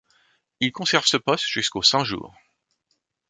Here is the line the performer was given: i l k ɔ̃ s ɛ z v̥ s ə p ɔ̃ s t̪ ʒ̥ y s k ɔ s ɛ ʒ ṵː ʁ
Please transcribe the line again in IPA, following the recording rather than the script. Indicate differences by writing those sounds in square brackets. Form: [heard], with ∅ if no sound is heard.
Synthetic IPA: i l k ɔ̃ s ɛ [ʁ] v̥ s ə p [ɔ] s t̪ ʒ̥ y s k [o] s [ɛ̃] ʒ ṵː ʁ